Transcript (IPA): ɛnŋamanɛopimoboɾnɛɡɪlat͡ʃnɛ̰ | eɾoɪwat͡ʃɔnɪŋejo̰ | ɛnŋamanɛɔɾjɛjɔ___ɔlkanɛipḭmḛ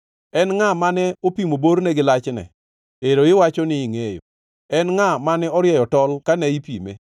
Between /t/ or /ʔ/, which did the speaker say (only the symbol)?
t